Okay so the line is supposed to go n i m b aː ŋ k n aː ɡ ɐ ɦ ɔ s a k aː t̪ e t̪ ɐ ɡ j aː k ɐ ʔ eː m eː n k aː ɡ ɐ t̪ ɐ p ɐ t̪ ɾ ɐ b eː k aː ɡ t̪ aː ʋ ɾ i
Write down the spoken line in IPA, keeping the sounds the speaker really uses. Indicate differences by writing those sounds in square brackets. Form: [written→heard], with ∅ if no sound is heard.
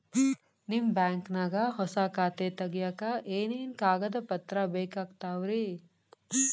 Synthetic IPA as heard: n i m b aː ŋ k n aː ɡ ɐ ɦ ɔ s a k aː t̪ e t̪ ɐ ɡ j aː k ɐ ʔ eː [m→n] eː n k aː ɡ ɐ [t̪→d̪] ɐ p ɐ t̪ ɾ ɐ b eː k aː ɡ t̪ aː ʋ ɾ i